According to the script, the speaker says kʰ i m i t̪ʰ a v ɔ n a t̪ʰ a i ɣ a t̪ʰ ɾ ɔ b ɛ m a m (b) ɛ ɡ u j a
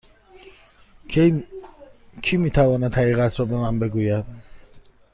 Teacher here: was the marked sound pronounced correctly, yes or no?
yes